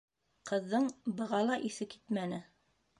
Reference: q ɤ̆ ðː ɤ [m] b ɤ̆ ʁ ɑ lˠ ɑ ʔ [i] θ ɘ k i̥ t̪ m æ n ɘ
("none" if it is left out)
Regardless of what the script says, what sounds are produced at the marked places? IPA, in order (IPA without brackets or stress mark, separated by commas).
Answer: ɴ, i